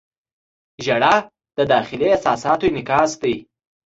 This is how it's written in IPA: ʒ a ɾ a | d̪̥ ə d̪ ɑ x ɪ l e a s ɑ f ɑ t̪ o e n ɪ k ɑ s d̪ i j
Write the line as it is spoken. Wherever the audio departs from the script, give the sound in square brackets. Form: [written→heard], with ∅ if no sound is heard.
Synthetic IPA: ʒ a [ɾ→ɽ] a | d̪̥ ə d̪ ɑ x ɪ l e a s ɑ [f→s] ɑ t̪ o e n ɪ k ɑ s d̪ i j